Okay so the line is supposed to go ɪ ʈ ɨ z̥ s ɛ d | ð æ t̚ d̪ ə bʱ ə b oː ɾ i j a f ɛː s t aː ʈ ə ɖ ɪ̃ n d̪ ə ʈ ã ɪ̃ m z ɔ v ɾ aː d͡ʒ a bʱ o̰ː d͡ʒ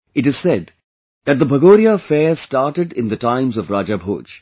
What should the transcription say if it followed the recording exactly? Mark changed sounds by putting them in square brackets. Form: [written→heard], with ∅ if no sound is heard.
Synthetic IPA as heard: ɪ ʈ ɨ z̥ s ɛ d | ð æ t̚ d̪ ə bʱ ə [b→ɡ] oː ɾ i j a f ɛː s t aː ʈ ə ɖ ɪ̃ n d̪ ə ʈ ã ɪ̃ m z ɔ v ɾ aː d͡ʒ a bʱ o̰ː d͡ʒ